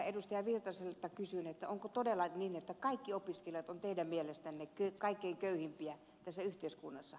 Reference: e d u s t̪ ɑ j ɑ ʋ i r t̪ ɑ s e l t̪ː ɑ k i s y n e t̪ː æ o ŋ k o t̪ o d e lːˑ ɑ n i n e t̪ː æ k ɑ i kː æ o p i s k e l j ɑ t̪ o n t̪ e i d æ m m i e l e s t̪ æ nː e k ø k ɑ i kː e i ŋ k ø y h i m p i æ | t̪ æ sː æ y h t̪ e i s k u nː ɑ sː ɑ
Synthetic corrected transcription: e d u s t̪ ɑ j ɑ ʋ i r t̪ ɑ s e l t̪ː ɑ k y s y n e t̪ː æ o ŋ k o t̪ o d e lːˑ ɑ n i n e t̪ː æ k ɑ i kː i o p i s k e l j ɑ t̪ o n t̪ e i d æ m m i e l e s t̪ æ nː e k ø k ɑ i kː e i ŋ k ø y h i m p i æ | t̪ æ sː æ y h t̪ e i s k u nː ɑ sː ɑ